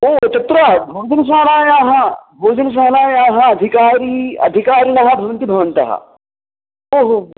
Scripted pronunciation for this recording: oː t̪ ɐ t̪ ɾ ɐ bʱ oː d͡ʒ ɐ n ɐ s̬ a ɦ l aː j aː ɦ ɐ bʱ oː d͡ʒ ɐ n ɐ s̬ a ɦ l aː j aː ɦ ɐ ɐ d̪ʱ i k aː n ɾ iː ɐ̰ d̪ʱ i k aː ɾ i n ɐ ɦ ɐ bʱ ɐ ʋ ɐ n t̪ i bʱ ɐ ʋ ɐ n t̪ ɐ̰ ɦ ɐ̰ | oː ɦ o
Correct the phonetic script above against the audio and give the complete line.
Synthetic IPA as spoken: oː t̪ ɐ t̪ ɾ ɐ bʱ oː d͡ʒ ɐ n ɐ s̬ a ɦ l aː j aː ɦ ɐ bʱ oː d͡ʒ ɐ n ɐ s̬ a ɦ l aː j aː ɦ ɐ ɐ d̪ʱ i k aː ɾ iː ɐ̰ d̪ʱ i k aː ɾ i n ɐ ɦ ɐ bʱ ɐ ʋ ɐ n t̪ i bʱ ɐ ʋ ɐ n t̪ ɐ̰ ɦ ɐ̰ | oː ɦ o